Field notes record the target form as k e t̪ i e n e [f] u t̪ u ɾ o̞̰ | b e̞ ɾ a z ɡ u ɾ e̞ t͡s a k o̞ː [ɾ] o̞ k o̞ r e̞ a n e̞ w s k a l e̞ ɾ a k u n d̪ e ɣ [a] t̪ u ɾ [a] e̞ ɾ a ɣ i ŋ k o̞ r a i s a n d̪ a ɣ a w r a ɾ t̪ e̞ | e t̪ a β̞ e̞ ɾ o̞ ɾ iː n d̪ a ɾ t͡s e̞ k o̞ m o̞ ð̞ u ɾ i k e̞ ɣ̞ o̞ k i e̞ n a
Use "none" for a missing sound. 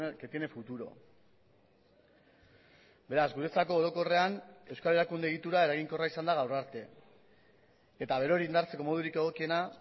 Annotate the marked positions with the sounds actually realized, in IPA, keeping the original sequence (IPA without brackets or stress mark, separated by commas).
f, ɾ, i, a